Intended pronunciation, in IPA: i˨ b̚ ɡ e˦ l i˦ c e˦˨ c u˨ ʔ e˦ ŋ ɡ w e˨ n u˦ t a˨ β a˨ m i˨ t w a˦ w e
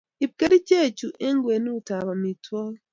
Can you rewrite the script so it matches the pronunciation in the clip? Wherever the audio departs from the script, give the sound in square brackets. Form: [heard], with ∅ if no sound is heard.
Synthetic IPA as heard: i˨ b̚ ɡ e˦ [ɾ] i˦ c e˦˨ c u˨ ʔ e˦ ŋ ɡ w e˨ n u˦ t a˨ β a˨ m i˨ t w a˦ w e